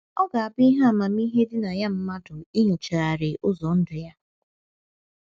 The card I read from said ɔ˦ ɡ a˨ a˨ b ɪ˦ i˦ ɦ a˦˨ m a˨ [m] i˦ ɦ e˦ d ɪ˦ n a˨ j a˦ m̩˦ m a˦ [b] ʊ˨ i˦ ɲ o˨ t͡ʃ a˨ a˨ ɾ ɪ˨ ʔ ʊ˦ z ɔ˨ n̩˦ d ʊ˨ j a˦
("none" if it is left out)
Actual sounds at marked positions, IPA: m, d

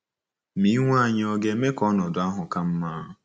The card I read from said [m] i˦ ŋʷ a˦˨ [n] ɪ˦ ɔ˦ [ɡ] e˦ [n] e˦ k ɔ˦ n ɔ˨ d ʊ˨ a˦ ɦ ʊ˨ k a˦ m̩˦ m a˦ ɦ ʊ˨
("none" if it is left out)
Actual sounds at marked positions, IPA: m, ɲ, ɡ, m

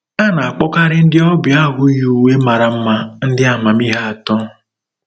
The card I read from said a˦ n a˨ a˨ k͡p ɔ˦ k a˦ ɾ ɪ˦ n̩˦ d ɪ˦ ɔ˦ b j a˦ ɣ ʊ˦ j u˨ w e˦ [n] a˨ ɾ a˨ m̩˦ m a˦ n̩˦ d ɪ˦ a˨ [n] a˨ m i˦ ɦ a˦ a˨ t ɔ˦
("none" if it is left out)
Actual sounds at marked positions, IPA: m, m

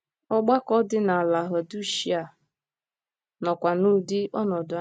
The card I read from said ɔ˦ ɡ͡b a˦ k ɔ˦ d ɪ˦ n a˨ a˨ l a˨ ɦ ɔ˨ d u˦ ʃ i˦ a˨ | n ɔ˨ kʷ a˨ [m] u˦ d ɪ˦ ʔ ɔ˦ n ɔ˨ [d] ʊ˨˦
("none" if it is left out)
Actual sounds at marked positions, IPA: n, d

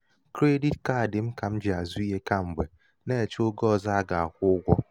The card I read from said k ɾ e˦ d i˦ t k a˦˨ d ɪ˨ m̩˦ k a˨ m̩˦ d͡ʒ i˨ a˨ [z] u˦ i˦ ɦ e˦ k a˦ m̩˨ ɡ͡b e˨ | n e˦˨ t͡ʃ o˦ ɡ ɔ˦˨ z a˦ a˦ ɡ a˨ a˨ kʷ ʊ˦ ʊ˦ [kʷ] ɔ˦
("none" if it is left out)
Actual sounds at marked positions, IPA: z, ɡʷ

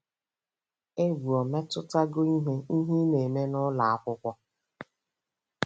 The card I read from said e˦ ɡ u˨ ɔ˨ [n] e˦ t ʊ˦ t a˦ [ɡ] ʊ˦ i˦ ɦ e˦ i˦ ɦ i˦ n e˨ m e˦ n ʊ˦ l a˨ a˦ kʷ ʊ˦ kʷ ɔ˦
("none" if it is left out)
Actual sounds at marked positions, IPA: m, ɡ

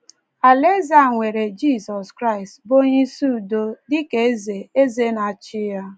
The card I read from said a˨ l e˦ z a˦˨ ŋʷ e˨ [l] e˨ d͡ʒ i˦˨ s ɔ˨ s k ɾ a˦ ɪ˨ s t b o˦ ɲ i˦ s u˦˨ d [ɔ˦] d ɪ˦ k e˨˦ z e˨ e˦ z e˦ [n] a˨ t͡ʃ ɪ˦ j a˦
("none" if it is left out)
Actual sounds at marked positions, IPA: ɾ, o˦, n

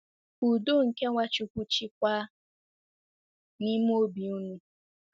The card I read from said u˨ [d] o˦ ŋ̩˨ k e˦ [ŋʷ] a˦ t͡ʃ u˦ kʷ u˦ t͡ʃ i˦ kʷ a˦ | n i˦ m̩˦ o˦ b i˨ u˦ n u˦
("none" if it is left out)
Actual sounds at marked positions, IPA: d, ŋʷ

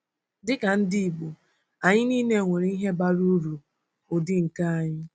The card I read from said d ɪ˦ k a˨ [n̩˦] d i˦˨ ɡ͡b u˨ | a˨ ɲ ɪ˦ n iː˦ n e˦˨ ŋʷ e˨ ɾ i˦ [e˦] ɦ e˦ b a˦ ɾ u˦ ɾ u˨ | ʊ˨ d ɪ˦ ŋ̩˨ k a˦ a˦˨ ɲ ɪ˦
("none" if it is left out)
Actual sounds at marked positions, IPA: n̩˦, i˦

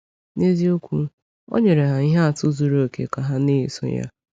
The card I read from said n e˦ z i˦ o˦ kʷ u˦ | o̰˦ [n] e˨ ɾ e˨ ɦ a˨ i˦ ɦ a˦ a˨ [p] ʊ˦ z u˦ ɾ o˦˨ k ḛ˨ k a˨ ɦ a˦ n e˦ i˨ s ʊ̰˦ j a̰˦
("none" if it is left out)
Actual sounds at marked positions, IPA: ɲ, t

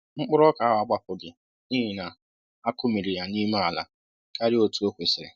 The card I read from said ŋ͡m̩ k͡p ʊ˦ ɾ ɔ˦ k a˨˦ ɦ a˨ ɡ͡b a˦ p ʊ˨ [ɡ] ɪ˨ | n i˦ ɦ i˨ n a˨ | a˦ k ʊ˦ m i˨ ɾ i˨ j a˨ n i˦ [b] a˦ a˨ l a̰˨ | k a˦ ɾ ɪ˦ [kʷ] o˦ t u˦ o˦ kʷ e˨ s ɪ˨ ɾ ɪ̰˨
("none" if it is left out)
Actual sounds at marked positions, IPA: ɡ, m, none

